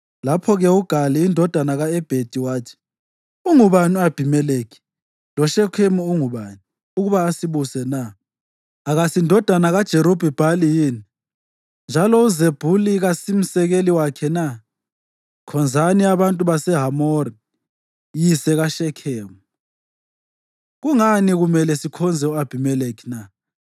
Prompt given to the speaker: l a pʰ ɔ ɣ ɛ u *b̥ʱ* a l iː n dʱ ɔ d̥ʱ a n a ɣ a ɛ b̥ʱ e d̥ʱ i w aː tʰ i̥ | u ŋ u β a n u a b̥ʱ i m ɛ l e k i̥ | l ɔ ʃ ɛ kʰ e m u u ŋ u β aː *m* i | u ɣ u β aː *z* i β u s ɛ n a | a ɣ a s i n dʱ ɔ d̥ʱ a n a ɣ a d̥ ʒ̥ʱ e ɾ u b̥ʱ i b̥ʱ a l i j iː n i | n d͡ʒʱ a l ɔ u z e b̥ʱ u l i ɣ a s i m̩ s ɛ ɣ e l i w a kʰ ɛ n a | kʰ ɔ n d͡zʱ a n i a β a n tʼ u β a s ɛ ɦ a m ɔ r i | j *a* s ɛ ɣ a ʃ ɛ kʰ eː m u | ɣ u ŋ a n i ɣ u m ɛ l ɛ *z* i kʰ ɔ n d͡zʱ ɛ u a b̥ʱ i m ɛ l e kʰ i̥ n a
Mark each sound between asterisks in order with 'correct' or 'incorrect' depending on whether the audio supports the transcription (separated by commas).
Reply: incorrect, incorrect, incorrect, incorrect, incorrect